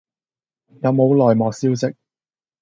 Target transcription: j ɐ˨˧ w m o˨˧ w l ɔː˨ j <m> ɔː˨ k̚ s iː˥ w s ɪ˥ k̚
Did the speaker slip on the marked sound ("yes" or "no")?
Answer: no